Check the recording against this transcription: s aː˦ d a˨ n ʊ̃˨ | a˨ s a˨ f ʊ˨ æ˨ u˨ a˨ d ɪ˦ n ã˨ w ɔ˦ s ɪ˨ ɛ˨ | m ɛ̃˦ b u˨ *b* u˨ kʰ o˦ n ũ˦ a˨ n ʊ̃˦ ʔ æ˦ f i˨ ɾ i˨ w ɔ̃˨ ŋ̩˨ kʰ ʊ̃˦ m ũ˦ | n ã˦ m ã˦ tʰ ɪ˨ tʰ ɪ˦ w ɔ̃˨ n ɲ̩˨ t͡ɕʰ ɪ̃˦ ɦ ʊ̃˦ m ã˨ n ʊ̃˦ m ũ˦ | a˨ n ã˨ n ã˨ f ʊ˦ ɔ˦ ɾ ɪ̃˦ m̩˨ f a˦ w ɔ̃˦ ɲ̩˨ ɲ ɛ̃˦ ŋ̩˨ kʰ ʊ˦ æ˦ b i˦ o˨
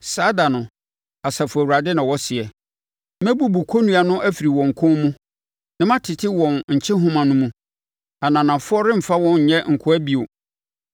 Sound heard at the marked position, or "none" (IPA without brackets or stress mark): b